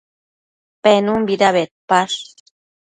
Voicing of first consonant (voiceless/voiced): voiceless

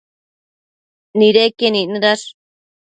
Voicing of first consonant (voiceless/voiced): voiced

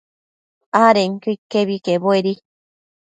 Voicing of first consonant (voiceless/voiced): voiced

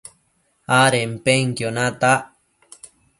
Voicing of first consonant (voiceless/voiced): voiced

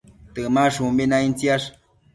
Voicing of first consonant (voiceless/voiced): voiceless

